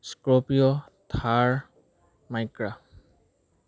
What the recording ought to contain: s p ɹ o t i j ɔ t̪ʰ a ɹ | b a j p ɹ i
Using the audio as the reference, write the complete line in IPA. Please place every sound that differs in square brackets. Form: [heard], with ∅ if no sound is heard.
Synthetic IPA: s [k] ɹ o [p] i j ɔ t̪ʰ a ɹ | [m] a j [k] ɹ [a]